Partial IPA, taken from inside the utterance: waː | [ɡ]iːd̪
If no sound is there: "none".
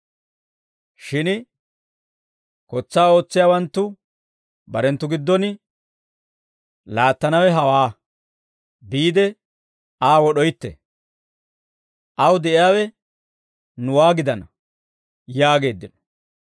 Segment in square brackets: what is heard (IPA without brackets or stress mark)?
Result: b